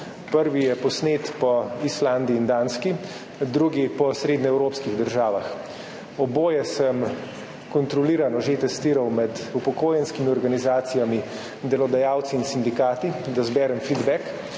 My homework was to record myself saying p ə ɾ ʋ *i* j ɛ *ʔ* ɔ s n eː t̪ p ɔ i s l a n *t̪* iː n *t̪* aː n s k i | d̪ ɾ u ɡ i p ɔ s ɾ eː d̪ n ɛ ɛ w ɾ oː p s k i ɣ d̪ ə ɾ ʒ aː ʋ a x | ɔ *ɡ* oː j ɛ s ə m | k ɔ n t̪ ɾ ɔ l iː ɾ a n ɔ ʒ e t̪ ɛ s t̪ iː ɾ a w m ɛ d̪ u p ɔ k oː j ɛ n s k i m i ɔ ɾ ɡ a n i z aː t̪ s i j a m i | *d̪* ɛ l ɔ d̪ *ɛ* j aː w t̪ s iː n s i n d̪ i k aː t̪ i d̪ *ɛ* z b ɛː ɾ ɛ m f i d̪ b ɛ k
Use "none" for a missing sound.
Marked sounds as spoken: i, p, d̪, d̪, b, d̪, a, a

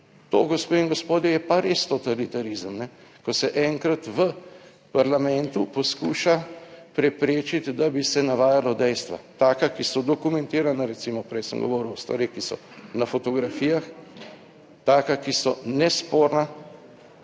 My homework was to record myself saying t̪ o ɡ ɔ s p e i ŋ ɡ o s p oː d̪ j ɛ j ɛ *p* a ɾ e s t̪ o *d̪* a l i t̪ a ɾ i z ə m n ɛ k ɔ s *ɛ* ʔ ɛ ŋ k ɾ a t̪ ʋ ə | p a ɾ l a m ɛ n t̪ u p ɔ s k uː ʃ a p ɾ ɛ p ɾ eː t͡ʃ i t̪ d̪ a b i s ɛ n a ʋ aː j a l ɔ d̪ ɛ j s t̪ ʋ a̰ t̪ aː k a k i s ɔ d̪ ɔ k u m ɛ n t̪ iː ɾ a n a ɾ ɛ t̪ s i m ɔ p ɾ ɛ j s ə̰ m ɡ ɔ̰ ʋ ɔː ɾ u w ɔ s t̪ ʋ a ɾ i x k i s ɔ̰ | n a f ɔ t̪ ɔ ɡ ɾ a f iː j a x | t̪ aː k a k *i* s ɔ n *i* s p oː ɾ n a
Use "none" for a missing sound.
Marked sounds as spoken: p, t̪, ɛ, i, ɛ

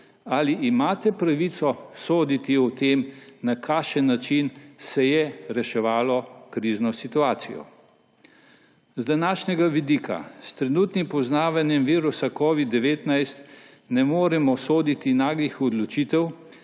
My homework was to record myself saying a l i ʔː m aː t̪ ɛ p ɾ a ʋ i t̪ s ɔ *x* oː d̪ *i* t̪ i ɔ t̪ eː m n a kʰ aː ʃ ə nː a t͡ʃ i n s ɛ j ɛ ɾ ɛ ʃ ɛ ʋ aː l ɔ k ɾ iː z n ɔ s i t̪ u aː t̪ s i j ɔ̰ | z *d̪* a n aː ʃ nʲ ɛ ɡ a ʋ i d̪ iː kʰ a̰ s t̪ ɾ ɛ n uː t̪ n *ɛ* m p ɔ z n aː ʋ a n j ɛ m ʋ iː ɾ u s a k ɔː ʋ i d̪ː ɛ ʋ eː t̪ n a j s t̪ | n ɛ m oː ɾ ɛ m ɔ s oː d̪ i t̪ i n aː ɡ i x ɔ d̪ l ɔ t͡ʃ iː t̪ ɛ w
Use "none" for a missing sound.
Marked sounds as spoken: s, i, d̪, i

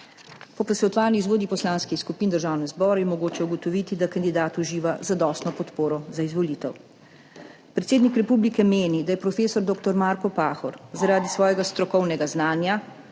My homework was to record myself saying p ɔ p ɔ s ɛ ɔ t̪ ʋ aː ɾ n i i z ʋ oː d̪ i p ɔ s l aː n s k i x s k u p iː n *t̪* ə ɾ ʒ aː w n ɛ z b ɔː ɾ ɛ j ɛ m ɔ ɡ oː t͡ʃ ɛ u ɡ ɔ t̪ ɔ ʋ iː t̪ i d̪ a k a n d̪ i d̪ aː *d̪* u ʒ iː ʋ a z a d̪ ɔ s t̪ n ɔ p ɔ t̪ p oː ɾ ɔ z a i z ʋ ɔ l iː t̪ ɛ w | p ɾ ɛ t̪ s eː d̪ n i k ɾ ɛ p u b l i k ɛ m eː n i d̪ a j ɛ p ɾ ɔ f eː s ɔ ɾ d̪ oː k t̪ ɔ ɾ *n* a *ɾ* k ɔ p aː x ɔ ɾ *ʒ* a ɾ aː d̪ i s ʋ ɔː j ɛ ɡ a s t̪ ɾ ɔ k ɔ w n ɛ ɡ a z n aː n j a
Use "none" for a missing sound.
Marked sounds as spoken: d̪, t̪, m, ɾ, z

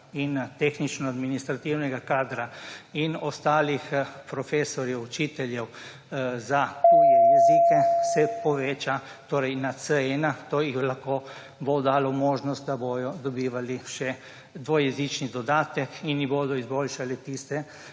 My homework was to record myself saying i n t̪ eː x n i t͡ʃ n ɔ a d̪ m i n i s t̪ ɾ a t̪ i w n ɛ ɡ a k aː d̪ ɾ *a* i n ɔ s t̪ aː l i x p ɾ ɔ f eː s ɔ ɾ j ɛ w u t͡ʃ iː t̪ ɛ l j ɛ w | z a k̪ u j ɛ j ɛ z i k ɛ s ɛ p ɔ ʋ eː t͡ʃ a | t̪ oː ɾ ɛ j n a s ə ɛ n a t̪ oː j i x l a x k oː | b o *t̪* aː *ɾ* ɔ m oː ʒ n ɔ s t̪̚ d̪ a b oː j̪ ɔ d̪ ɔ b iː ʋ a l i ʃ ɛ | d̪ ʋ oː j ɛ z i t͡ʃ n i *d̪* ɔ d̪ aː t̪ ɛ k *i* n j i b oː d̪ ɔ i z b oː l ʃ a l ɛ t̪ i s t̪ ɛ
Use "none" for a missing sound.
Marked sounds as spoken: a, d̪, l, d̪, i

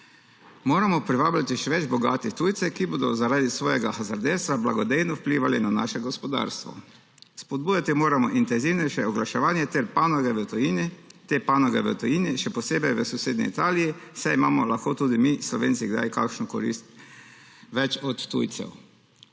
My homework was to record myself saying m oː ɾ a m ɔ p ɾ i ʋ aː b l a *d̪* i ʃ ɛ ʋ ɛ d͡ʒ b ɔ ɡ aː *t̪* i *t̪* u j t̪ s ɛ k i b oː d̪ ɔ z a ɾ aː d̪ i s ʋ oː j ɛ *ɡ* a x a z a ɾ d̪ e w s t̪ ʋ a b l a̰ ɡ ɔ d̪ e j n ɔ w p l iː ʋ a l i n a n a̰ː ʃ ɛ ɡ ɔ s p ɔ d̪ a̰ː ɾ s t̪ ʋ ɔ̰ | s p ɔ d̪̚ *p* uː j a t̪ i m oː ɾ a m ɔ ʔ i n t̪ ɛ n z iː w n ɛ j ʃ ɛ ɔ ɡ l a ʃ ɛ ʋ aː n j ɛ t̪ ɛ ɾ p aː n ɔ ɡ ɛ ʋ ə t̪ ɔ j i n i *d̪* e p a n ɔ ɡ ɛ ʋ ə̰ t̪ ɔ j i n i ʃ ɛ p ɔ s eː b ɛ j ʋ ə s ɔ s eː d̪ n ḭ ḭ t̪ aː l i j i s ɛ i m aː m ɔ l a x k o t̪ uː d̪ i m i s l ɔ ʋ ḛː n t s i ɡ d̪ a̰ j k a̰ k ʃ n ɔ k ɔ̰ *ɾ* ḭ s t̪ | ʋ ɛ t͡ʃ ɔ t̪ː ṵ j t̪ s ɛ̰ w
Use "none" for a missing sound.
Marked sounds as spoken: t̪, t̪, t̪, ɡ, b, t̪, ɾ

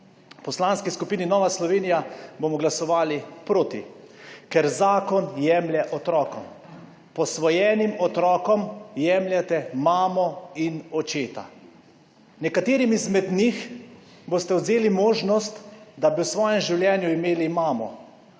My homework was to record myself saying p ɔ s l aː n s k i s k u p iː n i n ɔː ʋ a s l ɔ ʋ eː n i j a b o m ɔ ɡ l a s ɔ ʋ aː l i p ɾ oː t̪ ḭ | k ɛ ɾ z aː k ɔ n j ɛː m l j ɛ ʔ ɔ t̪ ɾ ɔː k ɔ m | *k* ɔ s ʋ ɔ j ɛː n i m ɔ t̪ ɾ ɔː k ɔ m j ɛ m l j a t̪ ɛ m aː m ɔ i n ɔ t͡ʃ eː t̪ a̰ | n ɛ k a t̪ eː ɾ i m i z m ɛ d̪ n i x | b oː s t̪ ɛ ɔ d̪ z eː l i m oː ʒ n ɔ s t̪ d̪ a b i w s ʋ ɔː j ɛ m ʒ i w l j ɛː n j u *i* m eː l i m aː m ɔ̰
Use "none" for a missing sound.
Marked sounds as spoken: p, i

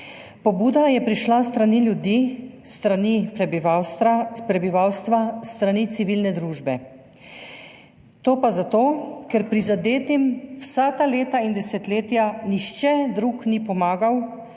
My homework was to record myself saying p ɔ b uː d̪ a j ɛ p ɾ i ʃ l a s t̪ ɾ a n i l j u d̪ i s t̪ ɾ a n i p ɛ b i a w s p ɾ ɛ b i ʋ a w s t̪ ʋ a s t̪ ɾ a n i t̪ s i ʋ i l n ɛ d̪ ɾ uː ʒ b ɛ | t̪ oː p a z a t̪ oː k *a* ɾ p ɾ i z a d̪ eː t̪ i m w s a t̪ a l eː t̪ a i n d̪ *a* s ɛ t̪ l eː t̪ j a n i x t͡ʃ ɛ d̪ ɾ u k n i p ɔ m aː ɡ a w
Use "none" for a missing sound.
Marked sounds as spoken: ɛ, ɛ

